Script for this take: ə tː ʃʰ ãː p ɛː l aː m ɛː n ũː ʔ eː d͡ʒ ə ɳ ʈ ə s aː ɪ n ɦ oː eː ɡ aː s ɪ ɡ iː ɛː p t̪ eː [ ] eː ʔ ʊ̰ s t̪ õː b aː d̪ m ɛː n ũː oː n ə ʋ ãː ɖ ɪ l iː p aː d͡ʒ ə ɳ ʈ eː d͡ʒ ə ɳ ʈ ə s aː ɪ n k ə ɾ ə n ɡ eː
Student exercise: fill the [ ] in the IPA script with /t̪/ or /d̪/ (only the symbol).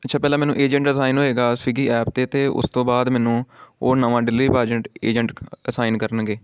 t̪